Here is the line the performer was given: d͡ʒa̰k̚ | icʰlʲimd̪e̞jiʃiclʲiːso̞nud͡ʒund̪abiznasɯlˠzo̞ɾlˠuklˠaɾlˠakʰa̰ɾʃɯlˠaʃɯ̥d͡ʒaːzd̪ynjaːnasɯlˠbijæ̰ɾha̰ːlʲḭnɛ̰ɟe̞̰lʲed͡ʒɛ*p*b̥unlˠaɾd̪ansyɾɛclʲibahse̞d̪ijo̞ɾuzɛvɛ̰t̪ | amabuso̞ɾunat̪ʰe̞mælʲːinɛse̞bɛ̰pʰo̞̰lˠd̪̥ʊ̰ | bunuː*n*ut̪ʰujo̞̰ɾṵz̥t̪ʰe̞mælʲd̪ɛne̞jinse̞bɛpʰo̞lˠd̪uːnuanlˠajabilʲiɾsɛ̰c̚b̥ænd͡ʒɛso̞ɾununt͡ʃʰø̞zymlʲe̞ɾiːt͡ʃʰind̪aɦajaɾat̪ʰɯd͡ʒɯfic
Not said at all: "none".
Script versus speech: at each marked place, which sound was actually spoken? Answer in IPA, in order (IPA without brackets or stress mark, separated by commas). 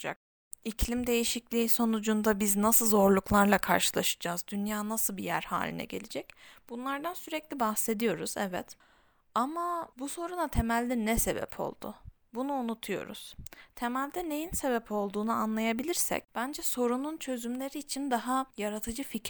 c, n